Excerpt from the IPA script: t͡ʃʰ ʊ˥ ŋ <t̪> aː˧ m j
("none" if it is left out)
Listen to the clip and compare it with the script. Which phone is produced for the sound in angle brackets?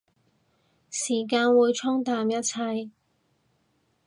t̪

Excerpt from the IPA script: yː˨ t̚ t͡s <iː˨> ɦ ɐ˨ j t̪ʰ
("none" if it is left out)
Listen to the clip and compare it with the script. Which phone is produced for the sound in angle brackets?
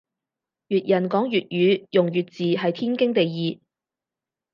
iː˨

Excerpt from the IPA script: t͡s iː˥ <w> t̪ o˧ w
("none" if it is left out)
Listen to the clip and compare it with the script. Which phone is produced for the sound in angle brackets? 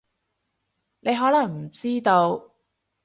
none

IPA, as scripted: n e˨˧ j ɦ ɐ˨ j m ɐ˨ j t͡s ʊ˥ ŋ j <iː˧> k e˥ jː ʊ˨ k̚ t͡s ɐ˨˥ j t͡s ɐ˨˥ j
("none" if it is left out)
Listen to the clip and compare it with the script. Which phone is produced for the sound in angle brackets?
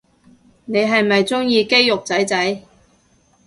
iː˧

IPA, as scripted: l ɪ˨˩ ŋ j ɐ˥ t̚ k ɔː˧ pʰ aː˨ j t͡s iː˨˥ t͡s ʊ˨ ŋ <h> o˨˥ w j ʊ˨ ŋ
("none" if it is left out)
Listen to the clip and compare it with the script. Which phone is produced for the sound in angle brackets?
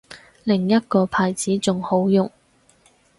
h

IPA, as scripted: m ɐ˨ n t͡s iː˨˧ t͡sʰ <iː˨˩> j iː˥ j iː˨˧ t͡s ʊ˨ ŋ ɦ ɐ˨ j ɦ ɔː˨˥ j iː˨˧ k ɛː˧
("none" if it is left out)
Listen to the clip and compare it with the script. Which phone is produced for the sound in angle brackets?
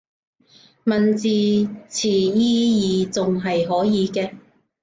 iː˨˩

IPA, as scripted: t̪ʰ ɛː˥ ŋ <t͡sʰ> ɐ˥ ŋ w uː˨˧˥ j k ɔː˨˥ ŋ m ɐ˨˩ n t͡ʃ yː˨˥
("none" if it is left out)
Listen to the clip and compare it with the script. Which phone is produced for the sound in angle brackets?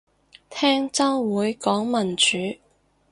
t͡s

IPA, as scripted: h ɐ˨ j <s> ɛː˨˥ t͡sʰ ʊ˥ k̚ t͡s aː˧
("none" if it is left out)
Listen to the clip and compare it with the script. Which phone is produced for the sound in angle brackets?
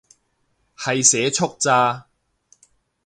s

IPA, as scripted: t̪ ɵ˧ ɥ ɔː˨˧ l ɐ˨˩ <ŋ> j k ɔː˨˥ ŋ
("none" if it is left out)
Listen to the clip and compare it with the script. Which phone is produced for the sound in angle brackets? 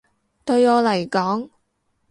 none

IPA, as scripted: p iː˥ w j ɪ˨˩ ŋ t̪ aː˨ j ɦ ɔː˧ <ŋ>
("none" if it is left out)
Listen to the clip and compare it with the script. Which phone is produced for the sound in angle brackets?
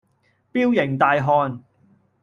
n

